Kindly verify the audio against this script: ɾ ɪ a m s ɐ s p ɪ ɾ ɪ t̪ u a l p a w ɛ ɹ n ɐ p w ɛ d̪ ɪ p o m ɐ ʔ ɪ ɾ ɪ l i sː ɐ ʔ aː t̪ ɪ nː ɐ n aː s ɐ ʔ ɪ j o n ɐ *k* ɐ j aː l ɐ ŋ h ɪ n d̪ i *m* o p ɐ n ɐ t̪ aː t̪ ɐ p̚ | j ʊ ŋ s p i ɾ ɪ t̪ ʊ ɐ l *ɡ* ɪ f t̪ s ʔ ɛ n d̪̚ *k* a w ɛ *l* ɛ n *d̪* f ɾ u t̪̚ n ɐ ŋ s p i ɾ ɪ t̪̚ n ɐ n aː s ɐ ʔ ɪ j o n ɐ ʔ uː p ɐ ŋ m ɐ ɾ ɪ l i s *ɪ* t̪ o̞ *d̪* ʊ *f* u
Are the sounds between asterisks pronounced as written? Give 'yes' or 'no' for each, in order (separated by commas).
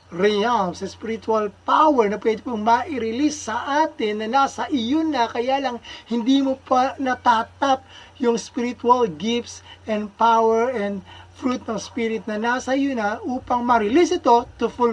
yes, yes, yes, no, no, yes, yes, no, yes